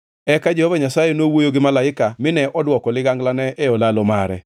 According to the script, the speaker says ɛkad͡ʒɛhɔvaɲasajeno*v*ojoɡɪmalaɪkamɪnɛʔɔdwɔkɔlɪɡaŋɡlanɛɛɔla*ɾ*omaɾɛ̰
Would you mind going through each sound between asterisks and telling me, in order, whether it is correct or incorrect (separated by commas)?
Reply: incorrect, incorrect